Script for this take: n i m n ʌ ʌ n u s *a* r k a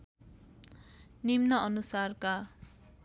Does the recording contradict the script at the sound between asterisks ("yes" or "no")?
no